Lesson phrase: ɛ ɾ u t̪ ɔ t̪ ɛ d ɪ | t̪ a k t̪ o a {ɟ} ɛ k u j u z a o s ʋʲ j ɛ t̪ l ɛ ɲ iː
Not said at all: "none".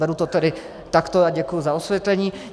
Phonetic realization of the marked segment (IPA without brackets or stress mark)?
ɟ